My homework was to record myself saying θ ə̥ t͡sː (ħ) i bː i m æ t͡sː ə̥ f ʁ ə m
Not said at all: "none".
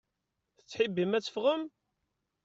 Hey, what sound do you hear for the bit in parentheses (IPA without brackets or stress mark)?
ħ